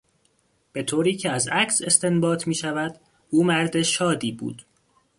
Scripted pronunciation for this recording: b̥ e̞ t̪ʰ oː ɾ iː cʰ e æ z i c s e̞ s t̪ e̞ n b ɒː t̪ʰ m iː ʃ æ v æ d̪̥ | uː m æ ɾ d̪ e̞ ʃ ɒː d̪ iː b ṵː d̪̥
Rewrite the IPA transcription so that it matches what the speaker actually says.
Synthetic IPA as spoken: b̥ e̞ t̪ʰ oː ɾ iː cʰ e æ z æ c s e̞ s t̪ e̞ n b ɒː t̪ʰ m iː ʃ æ v æ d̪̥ | uː m æ ɾ d̪ e̞ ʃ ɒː d̪ iː b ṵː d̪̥